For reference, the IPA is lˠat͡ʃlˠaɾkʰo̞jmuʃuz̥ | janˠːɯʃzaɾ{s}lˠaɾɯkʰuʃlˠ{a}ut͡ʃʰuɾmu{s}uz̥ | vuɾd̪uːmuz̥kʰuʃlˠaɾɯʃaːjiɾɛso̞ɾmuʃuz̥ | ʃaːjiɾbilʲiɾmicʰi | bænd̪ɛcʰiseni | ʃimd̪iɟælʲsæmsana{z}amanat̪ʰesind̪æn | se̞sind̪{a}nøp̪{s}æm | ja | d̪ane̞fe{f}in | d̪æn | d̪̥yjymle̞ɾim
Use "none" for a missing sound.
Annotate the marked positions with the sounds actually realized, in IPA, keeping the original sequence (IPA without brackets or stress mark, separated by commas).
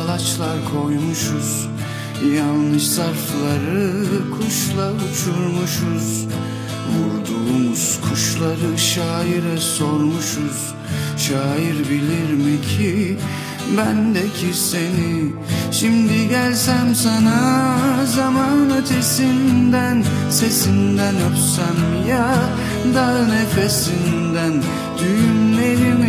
f, a, ʃ, z, æ, s, s